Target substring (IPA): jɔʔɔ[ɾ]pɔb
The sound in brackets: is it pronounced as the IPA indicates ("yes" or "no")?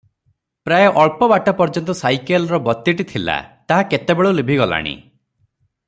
no